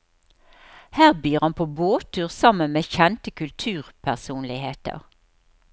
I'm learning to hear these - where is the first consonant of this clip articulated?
throat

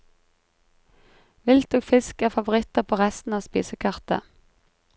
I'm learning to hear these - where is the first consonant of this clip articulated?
lips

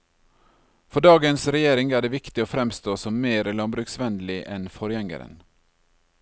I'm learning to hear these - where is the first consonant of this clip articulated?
lips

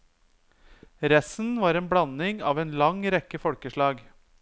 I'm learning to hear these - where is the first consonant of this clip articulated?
tongue tip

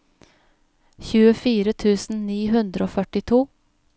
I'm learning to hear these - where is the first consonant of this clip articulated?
palate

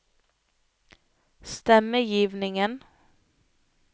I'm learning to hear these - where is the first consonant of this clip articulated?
tongue tip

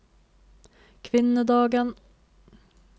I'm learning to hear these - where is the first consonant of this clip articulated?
velum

